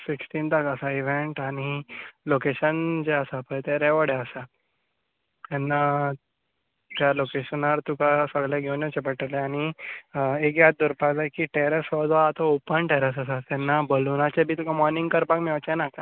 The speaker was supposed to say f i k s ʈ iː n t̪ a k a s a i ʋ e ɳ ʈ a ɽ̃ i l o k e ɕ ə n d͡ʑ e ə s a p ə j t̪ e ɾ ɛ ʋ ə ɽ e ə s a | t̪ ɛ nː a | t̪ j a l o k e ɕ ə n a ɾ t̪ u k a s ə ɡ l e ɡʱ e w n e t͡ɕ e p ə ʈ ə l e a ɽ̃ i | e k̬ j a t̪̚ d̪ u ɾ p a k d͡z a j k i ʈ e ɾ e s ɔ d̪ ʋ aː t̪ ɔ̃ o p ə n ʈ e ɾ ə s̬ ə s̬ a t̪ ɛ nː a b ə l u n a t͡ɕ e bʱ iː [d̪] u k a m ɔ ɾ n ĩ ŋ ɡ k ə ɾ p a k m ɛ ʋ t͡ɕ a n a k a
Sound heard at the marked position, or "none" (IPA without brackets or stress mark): t̪